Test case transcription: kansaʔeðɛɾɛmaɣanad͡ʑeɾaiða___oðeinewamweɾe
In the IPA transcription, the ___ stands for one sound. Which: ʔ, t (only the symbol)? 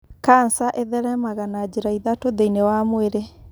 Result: t